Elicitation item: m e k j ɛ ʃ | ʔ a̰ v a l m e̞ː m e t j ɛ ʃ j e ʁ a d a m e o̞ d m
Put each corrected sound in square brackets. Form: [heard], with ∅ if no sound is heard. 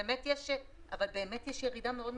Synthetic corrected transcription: m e [t] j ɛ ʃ | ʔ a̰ v a l [b] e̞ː m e t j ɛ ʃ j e ʁ [i] d a m e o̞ d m